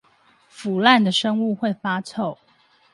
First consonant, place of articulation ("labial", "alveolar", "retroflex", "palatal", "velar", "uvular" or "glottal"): labial